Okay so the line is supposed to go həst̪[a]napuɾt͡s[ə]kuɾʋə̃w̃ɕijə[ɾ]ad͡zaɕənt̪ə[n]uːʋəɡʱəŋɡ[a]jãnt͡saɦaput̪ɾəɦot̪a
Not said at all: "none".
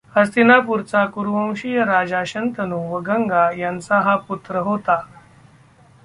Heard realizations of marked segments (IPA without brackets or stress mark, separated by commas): i, a, ɾ, n, a